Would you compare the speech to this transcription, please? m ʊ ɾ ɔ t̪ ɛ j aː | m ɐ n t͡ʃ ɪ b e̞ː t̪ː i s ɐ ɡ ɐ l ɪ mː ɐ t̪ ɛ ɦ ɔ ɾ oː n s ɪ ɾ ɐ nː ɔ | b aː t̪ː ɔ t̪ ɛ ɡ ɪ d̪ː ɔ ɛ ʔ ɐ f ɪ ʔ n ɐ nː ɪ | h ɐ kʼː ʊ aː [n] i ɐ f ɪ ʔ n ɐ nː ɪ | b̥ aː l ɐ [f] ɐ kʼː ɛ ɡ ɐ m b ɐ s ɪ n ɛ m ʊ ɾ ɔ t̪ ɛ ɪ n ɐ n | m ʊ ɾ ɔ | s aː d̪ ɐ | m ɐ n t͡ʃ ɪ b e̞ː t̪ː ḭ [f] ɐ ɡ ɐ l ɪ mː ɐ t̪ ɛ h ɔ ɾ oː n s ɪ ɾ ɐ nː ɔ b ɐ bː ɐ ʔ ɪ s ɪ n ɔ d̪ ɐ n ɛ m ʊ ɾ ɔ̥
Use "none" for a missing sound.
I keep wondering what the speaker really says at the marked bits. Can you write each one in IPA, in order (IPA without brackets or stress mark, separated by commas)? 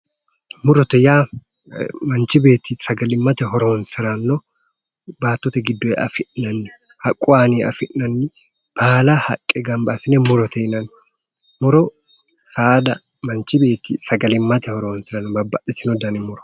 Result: n, h, s